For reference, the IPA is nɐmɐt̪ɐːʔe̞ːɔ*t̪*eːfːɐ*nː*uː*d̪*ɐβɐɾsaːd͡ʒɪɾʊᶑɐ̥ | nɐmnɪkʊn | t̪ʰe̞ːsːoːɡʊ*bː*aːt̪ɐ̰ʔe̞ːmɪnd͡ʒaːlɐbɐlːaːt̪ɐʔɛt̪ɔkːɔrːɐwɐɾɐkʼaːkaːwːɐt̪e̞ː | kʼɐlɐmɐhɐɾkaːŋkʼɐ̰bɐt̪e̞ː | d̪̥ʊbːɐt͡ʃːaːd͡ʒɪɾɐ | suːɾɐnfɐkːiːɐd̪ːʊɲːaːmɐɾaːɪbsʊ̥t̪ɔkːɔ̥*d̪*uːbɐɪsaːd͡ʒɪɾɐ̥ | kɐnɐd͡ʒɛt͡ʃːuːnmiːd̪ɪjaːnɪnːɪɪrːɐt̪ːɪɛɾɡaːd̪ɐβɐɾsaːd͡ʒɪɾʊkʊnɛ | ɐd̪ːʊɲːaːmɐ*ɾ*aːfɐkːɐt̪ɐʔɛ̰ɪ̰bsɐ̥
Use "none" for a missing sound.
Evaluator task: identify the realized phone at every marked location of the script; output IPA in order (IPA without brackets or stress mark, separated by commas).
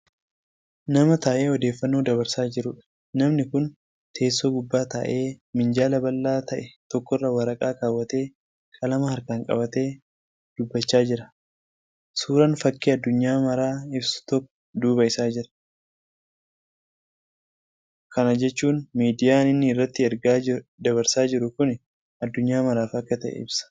d̪, nː, d̪, bː, d̪, ɾ